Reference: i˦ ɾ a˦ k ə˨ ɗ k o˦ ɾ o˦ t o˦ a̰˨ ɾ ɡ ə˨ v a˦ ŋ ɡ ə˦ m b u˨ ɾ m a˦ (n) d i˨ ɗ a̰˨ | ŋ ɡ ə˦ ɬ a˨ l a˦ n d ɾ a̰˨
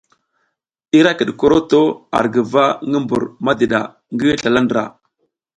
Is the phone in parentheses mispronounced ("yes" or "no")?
yes